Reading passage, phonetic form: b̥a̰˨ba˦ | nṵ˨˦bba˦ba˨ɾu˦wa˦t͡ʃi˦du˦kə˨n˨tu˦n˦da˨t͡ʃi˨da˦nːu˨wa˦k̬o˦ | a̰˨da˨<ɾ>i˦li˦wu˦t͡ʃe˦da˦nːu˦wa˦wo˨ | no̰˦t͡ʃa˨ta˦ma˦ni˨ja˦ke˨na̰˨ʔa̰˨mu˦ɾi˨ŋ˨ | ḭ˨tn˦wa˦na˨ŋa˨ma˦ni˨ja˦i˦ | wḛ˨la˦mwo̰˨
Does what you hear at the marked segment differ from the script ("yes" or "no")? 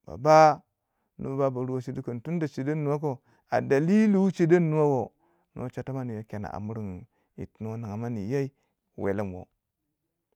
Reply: yes